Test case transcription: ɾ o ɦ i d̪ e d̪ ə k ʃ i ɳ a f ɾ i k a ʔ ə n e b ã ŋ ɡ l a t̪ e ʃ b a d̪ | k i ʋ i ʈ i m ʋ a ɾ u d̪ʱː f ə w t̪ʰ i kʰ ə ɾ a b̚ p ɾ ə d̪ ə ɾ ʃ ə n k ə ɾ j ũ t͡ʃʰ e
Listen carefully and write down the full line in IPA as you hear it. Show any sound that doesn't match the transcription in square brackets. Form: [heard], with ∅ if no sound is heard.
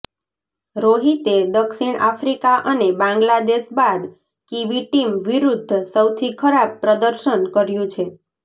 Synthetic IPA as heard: ɾ o ɦ i [t̪] e d̪ ə k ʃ i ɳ a f ɾ i k a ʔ ə n e b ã ŋ ɡ l a [d̪] e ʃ b a d̪ | k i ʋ i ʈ i m ʋ [i] ɾ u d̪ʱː [s] ə w t̪ʰ i kʰ ə ɾ a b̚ p ɾ ə d̪ ə ɾ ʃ ə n k ə ɾ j ũ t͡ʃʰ e